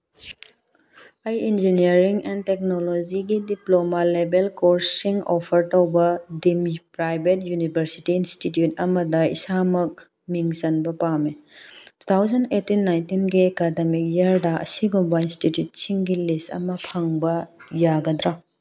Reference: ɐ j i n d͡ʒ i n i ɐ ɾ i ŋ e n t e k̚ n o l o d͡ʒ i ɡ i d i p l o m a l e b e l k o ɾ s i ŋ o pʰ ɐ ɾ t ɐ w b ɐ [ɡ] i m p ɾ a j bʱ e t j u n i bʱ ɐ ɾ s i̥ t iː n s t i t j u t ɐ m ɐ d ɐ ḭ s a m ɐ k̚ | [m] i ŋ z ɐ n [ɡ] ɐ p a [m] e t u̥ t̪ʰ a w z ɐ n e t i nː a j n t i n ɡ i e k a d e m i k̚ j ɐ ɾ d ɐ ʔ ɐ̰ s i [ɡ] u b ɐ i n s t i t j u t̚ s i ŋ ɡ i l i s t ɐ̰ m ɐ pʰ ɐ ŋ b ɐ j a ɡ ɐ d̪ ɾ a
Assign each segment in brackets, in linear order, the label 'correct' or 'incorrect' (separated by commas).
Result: incorrect, correct, incorrect, correct, correct